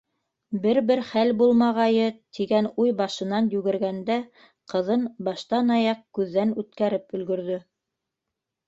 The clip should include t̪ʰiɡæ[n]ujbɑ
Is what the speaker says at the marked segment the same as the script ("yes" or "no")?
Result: yes